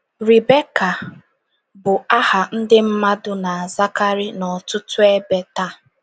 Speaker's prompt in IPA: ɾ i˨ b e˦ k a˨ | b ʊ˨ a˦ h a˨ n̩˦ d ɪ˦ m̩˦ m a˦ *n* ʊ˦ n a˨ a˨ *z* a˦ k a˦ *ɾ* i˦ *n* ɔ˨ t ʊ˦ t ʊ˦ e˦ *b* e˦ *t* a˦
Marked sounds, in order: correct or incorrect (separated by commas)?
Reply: incorrect, correct, correct, correct, correct, correct